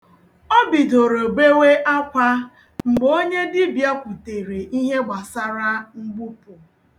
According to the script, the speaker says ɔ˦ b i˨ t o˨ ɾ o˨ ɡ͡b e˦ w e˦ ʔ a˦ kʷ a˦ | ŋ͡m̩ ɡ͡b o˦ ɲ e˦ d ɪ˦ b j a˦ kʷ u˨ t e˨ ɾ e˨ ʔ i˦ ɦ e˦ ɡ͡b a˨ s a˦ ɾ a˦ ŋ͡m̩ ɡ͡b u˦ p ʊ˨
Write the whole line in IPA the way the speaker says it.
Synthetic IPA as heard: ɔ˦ b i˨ d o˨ ɾ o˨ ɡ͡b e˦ w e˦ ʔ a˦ kʷ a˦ | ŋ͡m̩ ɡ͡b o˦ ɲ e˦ d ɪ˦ b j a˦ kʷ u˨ t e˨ ɾ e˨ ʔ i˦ ɦ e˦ ɡ͡b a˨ s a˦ ɾ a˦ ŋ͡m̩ ɡ͡b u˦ p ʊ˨